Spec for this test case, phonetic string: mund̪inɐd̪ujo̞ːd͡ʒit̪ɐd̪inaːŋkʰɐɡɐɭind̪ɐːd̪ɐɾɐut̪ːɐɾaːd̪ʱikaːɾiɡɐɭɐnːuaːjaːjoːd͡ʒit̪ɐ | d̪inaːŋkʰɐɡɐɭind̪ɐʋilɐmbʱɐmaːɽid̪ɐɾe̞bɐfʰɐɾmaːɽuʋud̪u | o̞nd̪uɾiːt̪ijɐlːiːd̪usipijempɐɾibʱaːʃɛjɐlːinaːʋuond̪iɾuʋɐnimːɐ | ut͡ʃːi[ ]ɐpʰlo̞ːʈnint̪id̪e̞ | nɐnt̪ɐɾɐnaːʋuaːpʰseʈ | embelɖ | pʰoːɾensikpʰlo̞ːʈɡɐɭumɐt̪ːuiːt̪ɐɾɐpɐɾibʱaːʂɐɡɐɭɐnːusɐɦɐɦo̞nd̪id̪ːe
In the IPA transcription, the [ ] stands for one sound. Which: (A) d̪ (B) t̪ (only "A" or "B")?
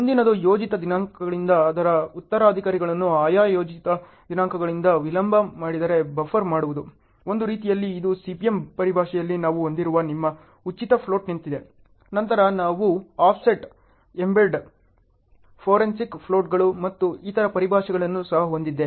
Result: B